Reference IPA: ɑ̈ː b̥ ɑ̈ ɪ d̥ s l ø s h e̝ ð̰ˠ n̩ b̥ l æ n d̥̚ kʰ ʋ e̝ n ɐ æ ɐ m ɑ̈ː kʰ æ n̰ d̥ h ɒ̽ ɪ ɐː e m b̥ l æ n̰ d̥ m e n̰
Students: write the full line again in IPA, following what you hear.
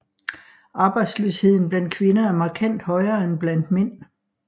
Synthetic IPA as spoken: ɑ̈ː b̥ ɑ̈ ɪ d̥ s l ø s h e̝ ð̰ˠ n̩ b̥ l æ n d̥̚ kʰ ʋ e̝ n ɐ æ ɐ m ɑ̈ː kʰ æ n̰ d̥ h ɒ̽ ɪ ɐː e n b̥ l æ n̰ d̥ m e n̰